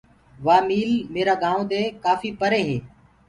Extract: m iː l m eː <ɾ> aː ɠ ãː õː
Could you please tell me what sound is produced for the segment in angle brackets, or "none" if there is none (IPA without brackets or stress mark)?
ɾ